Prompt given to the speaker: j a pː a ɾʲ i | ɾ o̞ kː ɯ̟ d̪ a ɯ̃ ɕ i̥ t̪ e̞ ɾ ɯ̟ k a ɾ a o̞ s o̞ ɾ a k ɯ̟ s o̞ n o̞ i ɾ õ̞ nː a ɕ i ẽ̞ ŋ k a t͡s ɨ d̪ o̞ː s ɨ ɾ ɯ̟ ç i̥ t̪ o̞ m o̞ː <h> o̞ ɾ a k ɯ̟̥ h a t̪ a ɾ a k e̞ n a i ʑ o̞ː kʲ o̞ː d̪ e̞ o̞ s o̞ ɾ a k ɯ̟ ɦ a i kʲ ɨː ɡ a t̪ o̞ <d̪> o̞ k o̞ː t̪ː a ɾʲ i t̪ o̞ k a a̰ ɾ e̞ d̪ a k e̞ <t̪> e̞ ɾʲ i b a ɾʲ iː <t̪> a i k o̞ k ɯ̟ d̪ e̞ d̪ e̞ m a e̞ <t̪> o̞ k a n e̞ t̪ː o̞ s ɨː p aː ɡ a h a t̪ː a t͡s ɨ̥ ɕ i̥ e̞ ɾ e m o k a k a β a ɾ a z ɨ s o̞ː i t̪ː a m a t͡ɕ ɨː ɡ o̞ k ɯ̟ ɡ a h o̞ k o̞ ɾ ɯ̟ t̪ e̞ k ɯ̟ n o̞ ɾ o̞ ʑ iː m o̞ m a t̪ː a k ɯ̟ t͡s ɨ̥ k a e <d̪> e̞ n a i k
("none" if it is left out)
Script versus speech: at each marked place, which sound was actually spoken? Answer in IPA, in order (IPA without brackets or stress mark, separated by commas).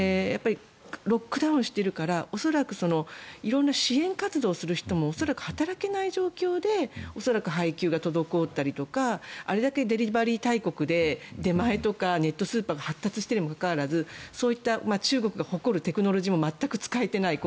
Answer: s, d̪, d̪, t̪, t̪, t̪